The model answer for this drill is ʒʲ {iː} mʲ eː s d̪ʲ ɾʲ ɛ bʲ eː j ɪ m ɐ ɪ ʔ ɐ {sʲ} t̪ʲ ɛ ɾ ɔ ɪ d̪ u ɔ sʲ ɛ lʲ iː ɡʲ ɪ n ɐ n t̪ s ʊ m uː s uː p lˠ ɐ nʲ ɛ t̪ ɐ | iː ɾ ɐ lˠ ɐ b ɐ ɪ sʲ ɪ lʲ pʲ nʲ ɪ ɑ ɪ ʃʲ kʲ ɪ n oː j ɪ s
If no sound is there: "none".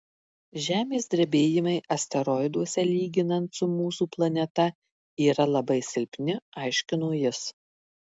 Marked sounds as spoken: æː, sʲ

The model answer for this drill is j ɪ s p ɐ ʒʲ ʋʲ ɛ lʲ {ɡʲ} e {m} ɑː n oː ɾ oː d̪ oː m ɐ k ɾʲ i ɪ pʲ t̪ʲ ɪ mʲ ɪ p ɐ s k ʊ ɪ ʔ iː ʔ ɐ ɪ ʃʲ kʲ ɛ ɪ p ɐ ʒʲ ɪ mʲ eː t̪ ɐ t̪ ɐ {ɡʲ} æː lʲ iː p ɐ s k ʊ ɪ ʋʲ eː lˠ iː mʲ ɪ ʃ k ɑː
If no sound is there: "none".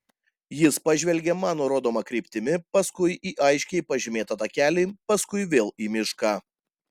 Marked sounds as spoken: ɡʲ, m, kʲ

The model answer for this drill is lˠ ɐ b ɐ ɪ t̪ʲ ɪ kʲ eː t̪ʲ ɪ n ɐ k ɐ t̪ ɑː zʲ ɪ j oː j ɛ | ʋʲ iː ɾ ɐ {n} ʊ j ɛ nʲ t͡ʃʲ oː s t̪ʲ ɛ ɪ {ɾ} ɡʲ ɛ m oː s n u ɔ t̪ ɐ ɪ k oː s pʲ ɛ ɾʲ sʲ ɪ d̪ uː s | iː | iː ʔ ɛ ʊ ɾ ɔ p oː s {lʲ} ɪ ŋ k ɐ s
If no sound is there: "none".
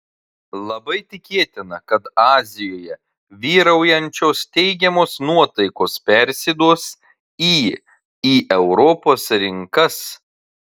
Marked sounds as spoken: none, none, ɾʲ

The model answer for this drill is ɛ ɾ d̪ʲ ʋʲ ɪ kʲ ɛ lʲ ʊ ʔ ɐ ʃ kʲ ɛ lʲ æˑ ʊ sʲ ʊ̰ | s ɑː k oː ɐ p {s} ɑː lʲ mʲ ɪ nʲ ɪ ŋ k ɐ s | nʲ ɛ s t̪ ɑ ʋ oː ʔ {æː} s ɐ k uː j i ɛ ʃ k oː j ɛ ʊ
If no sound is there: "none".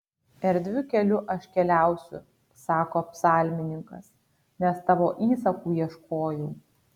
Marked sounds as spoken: s, iː

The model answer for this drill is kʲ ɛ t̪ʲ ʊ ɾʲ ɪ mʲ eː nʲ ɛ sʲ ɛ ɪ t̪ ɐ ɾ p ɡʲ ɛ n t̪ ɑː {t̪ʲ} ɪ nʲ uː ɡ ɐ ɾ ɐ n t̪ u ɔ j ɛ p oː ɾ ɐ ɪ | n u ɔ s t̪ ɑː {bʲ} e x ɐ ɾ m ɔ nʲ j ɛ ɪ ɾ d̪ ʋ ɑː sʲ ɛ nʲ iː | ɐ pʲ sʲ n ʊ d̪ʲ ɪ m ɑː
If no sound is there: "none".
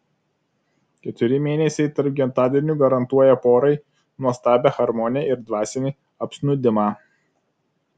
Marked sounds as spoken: d̪ʲ, bʲ

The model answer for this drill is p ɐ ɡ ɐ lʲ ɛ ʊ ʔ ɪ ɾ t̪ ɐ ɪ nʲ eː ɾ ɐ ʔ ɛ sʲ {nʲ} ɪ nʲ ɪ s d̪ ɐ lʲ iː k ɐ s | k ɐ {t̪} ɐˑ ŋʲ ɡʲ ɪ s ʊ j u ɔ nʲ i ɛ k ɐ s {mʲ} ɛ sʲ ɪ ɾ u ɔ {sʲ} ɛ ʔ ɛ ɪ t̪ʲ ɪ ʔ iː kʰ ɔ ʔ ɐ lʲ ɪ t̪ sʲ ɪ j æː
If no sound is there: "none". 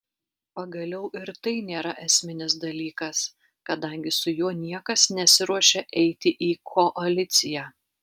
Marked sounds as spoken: mʲ, d̪, nʲ, ʃʲ

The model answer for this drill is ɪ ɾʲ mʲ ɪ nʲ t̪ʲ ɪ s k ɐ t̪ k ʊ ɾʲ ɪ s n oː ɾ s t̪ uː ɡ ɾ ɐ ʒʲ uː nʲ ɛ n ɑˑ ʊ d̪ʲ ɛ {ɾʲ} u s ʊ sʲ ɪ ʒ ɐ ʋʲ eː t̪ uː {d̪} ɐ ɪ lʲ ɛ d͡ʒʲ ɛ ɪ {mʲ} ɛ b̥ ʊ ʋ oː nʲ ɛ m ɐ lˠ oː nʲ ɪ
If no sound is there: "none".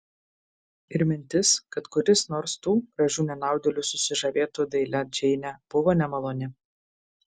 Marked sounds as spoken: lʲ, d̪, nʲ

